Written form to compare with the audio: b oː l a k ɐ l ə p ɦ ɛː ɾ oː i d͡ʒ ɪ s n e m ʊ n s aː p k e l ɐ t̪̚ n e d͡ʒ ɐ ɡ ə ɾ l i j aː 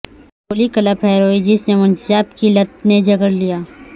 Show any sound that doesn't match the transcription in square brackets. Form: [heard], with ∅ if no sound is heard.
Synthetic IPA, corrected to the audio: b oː l [i] k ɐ l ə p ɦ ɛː ɾ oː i d͡ʒ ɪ s n e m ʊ n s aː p k [i] l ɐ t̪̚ n e d͡ʒ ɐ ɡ ə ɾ l i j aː